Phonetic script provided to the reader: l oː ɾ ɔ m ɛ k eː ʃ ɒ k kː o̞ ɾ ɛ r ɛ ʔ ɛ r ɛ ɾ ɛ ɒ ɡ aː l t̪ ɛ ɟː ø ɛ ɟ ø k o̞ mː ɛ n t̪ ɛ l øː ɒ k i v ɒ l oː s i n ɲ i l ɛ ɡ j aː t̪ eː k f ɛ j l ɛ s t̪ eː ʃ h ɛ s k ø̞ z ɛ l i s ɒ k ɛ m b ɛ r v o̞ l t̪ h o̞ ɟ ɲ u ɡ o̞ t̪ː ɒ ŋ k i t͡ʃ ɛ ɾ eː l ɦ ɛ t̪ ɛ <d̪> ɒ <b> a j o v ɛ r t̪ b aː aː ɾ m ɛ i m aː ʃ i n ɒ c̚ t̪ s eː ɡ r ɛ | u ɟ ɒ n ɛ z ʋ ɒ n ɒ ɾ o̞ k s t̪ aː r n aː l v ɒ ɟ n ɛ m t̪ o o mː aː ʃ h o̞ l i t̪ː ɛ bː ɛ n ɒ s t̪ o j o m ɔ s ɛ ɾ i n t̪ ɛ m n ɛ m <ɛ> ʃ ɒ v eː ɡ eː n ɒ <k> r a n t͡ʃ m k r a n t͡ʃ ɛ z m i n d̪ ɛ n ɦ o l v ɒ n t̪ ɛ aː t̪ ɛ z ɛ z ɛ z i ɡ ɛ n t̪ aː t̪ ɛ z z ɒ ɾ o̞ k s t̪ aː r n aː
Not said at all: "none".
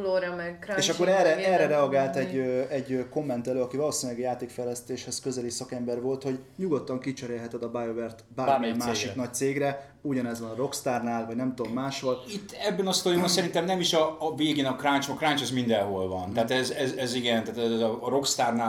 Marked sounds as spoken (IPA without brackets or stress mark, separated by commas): d̪, b, i, k